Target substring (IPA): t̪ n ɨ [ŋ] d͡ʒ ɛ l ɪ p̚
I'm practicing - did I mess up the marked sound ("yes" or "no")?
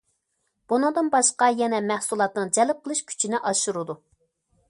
no